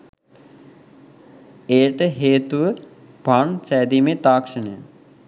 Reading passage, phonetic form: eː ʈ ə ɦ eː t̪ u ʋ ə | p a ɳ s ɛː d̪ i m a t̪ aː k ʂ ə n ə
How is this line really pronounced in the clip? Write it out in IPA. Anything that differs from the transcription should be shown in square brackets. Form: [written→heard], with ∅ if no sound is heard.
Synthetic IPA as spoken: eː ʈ ə ɦ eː t̪ u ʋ ə | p a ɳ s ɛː d̪ i m [a→e] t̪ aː k ʂ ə n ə